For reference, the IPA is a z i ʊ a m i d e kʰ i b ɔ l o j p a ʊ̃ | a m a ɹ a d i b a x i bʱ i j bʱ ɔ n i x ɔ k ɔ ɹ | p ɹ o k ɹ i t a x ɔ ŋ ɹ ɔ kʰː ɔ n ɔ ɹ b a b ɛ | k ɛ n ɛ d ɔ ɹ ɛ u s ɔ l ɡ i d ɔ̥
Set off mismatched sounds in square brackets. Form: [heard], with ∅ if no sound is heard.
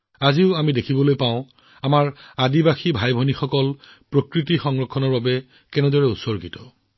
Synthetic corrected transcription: a z i ʊ a m i d e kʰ i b ɔ l o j p a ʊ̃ | a m a ɹ a d i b a x i bʱ [a] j bʱ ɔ n i x ɔ k ɔ [l] | p ɹ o k ɹ i t [i] x ɔ ŋ ɹ ɔ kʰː ɔ n ɔ ɹ b a b ɛ | k ɛ n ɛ d ɔ ɹ ɛ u s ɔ [ɹ] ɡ i [t] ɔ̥